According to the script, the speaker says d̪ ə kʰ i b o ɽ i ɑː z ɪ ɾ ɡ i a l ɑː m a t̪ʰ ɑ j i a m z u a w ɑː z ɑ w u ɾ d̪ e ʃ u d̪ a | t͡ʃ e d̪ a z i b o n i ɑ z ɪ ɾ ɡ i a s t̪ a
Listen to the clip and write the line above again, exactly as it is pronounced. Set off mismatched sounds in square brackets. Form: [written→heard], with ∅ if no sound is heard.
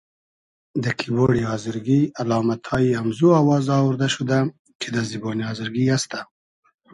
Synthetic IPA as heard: d̪ ə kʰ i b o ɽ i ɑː z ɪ ɾ ɡ i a l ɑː m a t̪ʰ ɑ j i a m z u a w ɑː z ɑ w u ɾ d̪ [e→a] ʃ u d̪ a | t͡ʃ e d̪ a z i b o n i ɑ z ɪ ɾ ɡ i a s t̪ a